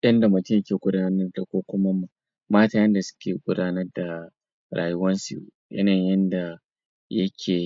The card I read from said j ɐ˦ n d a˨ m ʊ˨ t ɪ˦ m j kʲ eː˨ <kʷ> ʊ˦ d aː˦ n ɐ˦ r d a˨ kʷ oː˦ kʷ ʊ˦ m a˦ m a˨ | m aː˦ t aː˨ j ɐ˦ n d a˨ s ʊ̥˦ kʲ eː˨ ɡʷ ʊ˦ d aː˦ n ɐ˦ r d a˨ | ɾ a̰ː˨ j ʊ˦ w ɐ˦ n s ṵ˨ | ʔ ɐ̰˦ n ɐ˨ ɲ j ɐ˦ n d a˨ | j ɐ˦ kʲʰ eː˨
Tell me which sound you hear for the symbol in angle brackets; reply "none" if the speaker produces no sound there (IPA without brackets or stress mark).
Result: ɡʷ